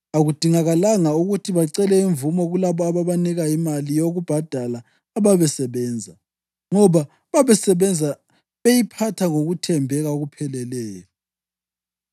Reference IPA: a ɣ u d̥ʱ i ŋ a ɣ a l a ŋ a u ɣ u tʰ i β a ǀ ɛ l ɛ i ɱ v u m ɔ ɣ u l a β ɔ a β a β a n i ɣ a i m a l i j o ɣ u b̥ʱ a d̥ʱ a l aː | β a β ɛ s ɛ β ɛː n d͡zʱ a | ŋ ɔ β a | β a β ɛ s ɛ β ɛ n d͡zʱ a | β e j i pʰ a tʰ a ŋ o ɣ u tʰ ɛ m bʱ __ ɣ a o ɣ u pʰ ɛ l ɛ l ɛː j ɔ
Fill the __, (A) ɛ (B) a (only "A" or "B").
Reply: A